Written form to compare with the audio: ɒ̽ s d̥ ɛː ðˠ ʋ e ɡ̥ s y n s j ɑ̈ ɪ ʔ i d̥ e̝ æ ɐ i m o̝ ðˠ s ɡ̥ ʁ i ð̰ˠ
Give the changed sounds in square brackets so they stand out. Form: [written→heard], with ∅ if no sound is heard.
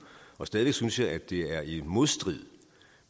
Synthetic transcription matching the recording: ɒ̽ s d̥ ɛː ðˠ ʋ e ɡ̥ s y n s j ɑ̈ ɪ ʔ [i→æ] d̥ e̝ æ ɐ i m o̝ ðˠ s [ɡ̥→d̥] ʁ i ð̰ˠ